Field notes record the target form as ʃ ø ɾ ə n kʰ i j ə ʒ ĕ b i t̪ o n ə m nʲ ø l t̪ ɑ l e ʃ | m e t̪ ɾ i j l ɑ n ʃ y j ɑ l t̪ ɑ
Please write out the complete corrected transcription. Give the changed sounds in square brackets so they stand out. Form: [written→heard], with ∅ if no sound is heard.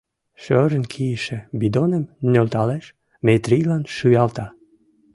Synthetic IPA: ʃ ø ɾ ə n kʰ i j ə [ʒ→ʃ] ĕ b i [t̪→d̪] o n ə m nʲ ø l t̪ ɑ l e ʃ | m e t̪ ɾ i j l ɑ n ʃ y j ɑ l t̪ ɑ

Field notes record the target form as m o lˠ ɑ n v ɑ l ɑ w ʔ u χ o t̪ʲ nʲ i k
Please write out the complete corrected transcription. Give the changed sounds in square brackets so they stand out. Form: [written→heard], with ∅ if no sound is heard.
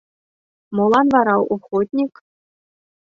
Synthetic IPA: m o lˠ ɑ n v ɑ [l→ɾ] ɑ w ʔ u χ o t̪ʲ nʲ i k

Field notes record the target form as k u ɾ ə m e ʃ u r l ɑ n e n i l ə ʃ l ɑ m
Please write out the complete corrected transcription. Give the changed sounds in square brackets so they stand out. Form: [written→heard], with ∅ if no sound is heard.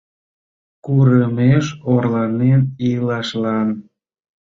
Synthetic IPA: k u ɾ ə m e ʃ [u→o] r l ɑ n e n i l [ə→ɑ] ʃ l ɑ [m→n]

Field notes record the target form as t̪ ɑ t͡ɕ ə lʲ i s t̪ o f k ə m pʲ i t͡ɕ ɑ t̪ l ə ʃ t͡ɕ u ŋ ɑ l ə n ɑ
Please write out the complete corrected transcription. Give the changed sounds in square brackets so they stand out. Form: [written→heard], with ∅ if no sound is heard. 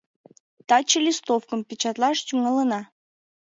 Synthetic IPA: t̪ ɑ t͡ɕ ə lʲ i s t̪ o f k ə m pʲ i t͡ɕ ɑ t̪ l [ə→ɑ] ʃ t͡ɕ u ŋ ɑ l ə n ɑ

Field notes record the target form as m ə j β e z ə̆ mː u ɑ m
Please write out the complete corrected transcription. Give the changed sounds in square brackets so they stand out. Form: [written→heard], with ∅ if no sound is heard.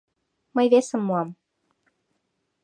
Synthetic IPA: m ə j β e [z→s] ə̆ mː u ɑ m

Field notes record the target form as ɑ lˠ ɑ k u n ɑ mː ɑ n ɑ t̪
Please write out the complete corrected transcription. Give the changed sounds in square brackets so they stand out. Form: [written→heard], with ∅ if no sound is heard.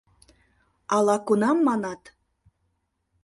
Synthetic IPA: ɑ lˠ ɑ k u n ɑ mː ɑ n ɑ t̪

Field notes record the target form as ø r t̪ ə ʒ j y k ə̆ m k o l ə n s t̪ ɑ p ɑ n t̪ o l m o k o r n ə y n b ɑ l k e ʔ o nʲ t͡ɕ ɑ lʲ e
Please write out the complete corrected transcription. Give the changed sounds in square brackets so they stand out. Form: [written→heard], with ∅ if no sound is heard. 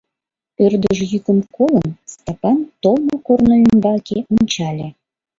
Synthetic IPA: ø r [t̪→d̪] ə ʒ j y k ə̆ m k o l ə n s t̪ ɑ p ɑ n t̪ o l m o k o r n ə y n b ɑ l k e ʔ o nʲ t͡ɕ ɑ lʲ e

